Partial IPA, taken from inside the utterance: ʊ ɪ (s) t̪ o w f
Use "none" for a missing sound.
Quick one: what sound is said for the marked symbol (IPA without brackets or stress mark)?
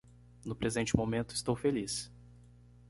s